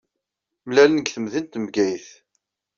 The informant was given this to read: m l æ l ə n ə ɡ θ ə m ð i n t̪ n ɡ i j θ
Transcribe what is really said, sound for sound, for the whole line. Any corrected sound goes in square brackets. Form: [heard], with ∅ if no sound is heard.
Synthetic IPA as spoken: m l æ l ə n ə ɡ θ ə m ð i n t̪ [m] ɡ [æ] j θ

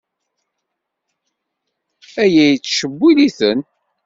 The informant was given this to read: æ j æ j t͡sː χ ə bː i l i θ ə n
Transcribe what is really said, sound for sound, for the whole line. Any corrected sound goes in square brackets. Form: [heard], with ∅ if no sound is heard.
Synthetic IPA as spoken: æ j æ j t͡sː [ʃ] ə bː i l i θ ə n

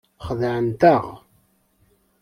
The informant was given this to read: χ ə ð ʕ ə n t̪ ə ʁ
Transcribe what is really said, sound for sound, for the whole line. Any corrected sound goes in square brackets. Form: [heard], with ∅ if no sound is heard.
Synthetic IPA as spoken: χ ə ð ʕ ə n t̪ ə ʁ

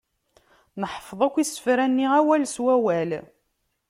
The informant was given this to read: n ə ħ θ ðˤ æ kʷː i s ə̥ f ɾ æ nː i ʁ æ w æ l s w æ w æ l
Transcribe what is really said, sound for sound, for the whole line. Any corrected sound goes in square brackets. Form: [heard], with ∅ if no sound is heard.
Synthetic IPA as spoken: n ə ħ [f] ðˤ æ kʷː i s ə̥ f ɾ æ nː i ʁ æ w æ l s w æ w æ l

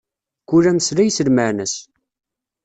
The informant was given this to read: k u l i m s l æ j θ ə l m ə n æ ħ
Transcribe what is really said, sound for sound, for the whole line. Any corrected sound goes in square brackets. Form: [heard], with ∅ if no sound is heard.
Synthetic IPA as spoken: k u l [æ] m s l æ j [s] ə l m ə n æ [s]

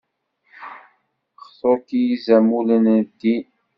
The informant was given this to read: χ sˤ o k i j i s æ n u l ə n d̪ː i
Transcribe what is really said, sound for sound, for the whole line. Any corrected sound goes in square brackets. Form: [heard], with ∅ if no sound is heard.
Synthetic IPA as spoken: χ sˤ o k i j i [z] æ [m] u l ə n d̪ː i

